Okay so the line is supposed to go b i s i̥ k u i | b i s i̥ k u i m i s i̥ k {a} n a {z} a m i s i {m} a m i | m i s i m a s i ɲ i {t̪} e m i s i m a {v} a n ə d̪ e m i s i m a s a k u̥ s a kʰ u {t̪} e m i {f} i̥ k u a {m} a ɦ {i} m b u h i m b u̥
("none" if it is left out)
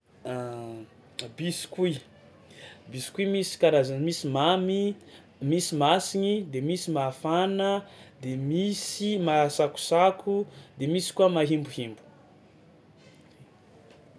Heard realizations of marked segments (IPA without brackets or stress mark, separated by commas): a, z, m, d̪, f, d̪, s, m, i